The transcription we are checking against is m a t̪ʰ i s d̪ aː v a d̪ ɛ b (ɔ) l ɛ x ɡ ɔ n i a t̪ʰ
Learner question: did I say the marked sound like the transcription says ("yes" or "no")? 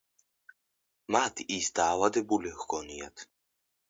no